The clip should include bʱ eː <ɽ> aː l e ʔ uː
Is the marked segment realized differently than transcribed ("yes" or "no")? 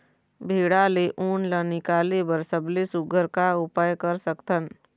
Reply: no